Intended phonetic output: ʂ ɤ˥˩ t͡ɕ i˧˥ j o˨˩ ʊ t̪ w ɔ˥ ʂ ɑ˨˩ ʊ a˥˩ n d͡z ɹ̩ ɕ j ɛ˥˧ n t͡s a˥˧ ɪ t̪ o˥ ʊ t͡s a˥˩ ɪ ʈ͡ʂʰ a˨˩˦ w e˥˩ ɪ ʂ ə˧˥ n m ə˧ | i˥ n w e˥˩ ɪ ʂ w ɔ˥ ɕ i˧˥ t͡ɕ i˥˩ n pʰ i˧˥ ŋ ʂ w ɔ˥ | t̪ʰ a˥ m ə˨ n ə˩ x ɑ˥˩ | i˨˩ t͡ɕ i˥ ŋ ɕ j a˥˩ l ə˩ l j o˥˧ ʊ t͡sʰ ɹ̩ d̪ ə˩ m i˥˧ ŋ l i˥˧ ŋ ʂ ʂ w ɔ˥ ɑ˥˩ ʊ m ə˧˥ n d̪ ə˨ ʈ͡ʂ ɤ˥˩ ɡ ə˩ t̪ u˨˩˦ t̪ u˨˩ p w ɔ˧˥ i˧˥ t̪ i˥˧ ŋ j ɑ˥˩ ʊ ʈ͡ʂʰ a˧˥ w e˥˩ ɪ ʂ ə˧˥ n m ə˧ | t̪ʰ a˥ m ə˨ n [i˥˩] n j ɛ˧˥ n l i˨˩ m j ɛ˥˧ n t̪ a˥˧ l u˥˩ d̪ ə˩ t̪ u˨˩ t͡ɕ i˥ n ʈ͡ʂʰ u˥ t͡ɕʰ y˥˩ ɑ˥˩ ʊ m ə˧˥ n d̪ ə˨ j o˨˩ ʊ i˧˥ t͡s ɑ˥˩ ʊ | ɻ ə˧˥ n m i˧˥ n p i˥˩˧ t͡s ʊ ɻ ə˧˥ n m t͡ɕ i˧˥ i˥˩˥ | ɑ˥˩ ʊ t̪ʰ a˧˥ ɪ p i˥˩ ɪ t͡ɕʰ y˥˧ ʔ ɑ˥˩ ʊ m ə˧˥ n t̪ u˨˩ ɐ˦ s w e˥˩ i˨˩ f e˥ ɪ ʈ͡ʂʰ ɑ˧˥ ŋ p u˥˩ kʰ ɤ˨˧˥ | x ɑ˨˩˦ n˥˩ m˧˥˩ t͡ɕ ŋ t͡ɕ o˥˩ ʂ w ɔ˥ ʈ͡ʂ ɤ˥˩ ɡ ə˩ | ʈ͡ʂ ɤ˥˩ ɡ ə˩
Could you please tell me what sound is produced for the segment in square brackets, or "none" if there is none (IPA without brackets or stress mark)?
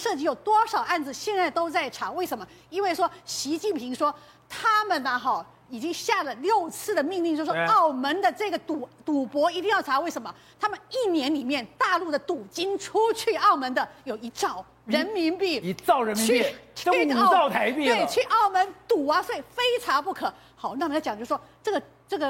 i˥˩